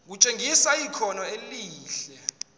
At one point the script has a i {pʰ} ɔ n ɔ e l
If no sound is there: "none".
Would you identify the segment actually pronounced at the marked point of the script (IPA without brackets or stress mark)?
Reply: kʰ